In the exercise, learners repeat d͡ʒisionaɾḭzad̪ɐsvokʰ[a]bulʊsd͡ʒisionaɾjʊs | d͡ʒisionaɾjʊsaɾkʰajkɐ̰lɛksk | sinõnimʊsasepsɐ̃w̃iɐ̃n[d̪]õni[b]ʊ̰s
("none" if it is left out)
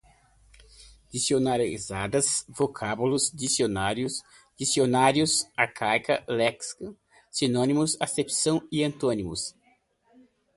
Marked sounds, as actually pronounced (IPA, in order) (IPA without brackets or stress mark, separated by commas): a, t̪, m